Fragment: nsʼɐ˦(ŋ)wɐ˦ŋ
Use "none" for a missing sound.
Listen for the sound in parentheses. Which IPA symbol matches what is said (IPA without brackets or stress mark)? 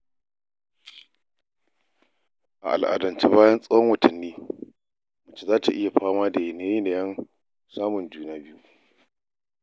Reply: none